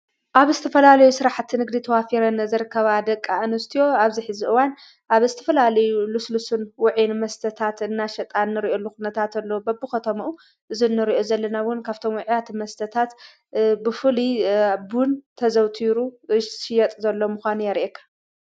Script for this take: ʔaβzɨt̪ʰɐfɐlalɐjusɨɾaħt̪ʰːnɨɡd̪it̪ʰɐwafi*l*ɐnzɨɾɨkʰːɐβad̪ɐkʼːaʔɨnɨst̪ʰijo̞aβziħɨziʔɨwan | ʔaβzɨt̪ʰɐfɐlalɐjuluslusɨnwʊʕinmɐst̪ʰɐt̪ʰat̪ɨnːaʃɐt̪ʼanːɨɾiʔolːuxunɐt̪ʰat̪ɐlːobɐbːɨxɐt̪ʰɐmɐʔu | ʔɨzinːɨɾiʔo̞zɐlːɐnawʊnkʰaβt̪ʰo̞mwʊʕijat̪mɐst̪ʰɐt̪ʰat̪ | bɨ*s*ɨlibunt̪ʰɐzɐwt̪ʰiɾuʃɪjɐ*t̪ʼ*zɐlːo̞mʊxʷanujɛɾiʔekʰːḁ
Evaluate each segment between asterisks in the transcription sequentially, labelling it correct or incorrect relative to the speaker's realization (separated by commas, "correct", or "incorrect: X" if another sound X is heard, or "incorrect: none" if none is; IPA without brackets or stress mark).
incorrect: ɾ, incorrect: f, correct